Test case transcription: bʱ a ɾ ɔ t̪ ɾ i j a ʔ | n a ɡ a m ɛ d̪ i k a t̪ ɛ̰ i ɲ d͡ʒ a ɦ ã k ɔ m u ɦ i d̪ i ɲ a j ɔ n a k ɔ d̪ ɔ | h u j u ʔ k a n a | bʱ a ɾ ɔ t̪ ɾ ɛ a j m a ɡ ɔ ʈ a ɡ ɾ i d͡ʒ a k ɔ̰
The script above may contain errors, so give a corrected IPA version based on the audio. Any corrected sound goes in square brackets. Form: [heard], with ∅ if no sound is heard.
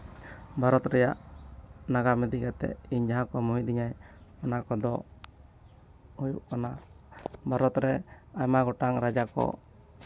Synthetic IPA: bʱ a ɾ ɔ t̪ ɾ [ɛ] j a ʔ | n a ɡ a m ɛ d̪ i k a t̪ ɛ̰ i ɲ d͡ʒ a ɦ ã k ɔ m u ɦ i d̪ i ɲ a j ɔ n a k ɔ d̪ ɔ | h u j u ʔ k a n a | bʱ a ɾ ɔ t̪ ɾ ɛ a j m a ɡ ɔ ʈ a [ŋ] ɾ [a] d͡ʒ a k ɔ̰